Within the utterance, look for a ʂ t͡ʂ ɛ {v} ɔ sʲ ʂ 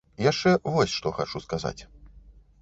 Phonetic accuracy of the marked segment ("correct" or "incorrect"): correct